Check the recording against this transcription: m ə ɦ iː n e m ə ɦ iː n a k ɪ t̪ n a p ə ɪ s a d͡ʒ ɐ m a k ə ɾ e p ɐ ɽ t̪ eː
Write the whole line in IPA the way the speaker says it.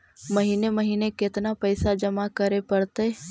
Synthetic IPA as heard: m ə ɦ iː n e m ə ɦ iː n e k ɪ t̪ n a p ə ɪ s a d͡ʒ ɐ m a k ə ɾ e p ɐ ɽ t̪ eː

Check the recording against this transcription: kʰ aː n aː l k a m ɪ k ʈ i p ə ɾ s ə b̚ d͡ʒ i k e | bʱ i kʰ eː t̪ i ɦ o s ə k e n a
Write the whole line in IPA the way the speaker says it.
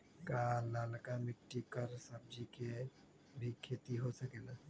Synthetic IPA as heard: k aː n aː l k a m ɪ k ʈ i k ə ɾ s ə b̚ d͡ʒ i k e | bʱ i kʰ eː t̪ i ɦ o s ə k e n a

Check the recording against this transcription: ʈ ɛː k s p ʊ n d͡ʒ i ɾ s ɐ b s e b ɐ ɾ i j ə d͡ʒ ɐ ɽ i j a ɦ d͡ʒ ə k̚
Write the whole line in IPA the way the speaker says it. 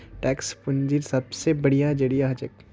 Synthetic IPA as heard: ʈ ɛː k s p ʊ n d͡ʒ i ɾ s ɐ b s e b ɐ ɽ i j a d͡ʒ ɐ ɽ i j a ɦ d͡ʒ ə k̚

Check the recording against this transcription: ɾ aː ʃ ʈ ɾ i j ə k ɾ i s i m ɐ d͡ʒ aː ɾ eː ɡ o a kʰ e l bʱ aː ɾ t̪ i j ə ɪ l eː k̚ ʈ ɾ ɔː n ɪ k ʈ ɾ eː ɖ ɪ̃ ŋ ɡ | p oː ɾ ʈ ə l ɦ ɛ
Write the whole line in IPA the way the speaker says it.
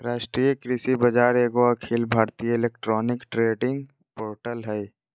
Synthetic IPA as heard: ɾ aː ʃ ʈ ɾ i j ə k ɾ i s i b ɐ d͡ʒ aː ɾ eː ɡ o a kʰ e l bʱ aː ɾ t̪ i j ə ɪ l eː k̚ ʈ ɾ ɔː n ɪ k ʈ ɾ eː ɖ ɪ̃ ŋ ɡ | p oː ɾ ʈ ə l ɦ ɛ

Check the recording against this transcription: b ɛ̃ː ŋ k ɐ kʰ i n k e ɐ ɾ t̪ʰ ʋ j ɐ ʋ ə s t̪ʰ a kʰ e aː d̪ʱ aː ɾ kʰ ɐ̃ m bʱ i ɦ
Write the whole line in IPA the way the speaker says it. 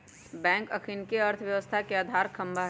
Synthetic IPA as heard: b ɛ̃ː ŋ k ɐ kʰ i n k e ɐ ɾ t̪ʰ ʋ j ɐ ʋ ə s t̪ʰ a k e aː d̪ʱ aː ɾ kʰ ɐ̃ m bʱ a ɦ

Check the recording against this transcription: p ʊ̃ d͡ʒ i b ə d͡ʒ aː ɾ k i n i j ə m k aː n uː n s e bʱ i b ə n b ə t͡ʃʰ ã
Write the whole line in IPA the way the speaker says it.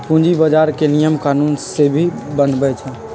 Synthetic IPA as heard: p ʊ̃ d͡ʒ i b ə d͡ʒ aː ɾ k e n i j ə m k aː n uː n s e bʱ i b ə n b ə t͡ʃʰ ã

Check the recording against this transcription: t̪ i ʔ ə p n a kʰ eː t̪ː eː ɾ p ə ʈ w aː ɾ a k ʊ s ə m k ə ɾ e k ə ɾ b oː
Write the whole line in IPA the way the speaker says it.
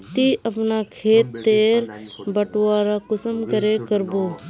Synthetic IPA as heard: t̪ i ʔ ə p n a kʰ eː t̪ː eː ɾ b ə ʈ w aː ɾ a k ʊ s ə m k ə ɾ e k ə ɾ b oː

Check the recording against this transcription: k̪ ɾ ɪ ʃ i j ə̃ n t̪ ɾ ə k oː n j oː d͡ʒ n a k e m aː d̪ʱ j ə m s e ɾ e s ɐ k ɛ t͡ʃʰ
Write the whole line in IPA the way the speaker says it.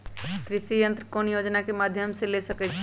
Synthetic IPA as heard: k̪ ɾ ɪ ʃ i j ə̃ n t̪ ɾ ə k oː n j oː d͡ʒ n a k e m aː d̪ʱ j ə m s e l e s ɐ k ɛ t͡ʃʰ

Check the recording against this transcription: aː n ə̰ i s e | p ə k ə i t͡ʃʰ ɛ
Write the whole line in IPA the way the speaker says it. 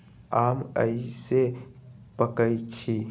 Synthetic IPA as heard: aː m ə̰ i s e | p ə k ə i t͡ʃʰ i

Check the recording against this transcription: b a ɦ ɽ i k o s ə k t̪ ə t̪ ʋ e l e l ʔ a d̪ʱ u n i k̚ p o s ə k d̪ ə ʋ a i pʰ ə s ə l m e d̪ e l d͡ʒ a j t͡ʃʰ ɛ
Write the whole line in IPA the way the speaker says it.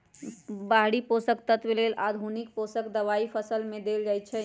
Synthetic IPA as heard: b a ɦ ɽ i p o s ə k t̪ ə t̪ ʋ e l e l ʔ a d̪ʱ u n i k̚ p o s ə k d̪ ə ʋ a i pʰ ə s ə l m e d̪ e l d͡ʒ a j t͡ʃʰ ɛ

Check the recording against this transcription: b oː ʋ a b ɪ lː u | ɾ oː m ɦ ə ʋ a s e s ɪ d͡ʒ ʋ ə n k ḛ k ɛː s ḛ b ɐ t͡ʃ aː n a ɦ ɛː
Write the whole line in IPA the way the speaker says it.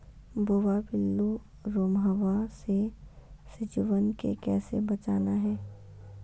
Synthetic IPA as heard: b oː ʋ a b ɪ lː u | ɾ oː m ɦ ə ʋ a s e s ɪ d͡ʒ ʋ ə n k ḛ k ɛː s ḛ b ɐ t͡ʃ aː n a ɦ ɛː

